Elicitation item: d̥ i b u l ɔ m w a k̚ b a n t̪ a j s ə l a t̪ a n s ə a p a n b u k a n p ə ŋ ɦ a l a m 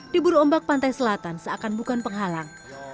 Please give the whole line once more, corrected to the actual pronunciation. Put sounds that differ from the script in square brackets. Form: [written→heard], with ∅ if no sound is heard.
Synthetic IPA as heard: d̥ i b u [l→ɾ] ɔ m [w→b] a k̚ [b→p] a n t̪ a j s ə l a t̪ a n s ə a [p→k] a n b u k a n p ə ŋ ɦ a l a [m→ŋ]